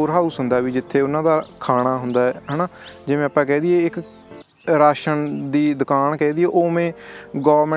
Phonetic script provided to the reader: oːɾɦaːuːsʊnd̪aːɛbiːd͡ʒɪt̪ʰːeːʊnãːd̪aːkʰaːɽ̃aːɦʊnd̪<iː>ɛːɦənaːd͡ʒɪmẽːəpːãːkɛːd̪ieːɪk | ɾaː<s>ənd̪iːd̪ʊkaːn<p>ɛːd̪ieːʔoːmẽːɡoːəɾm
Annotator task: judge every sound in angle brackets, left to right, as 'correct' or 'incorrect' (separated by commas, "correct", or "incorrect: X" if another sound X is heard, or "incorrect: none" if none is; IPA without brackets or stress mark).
incorrect: aː, incorrect: ʃ, incorrect: k